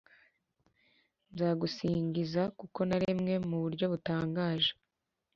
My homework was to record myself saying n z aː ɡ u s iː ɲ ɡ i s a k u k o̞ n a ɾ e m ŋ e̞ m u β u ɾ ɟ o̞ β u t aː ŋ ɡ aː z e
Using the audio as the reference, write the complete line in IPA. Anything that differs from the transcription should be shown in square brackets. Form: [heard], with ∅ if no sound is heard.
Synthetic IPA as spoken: n z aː ɡ u s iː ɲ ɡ i [z] a k u k o̞ n a ɾ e m ŋ e̞ m u β u ɾ ɟ o̞ β u t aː ŋ ɡ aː [ʒ] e